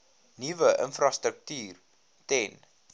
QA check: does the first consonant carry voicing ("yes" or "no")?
yes